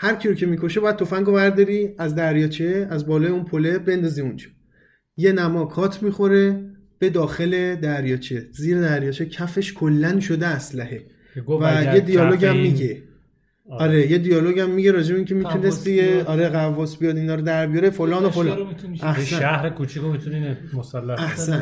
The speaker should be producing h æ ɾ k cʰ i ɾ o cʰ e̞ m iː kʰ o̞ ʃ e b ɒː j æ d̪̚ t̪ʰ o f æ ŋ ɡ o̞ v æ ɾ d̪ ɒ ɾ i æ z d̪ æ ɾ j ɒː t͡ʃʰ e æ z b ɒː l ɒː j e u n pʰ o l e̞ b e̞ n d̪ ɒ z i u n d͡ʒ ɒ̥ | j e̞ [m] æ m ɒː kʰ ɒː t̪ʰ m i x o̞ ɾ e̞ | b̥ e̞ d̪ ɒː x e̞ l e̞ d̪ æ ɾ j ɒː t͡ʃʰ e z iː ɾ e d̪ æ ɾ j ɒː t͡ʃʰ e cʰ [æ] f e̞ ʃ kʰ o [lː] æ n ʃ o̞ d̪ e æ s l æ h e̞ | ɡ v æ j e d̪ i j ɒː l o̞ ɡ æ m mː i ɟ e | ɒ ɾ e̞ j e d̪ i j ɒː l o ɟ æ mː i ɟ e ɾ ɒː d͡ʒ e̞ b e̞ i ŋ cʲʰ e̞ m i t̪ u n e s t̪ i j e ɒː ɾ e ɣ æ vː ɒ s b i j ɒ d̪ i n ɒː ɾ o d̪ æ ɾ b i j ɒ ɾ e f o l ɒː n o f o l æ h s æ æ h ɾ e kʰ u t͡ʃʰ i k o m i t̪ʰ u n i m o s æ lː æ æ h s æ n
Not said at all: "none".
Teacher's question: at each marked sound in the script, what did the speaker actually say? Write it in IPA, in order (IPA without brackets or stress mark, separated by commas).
n, æ, lː